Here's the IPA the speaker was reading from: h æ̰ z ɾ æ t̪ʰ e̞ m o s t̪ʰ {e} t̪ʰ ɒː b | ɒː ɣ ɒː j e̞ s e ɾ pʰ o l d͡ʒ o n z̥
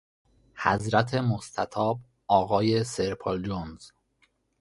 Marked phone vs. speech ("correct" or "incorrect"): incorrect